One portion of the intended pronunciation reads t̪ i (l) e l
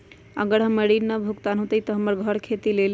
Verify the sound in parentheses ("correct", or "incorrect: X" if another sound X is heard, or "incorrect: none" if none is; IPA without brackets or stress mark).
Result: correct